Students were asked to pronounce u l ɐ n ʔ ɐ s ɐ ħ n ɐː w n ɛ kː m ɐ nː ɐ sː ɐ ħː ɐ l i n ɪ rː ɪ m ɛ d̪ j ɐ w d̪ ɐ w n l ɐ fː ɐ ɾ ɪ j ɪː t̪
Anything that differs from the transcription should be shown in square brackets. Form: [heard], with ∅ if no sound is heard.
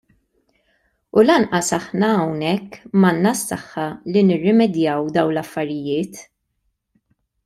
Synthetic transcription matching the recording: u l ɐ n ʔ ɐ s ɐ ħ n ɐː w n ɛ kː m ɐ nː ɐ sː ɐ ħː ɐ l i n ɪ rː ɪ m ɛ d̪ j ɐ w d̪ ɐ w n l ɐ fː ɐ ɾ ɪ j ɪː t̪